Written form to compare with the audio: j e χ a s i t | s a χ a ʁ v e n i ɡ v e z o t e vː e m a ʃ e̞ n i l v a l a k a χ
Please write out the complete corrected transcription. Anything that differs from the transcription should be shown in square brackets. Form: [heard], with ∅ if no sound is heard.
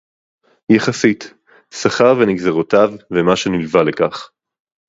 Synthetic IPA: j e χ a s i t | s a χ a ʁ v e n i ɡ [z] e [ʁ] o t [a] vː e m a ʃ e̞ n i l v a l [e] k a χ